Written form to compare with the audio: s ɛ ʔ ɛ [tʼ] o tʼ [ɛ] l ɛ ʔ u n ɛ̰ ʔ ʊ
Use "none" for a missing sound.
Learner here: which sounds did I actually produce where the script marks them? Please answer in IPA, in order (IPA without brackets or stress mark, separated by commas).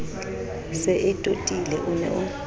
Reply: tʼ, i